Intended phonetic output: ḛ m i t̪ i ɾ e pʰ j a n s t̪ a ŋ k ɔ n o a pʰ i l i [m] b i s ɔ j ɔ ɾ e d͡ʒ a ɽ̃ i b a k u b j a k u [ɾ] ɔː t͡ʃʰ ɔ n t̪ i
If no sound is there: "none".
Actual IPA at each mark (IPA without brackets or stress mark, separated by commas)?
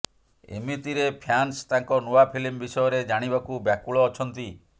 m, ɭ